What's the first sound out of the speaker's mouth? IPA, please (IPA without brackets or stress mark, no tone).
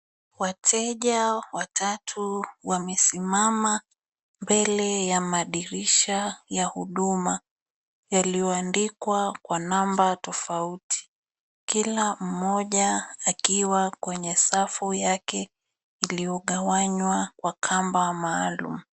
w